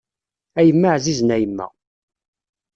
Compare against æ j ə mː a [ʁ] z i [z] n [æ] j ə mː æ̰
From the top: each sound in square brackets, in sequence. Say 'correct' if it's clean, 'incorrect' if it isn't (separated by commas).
incorrect, correct, correct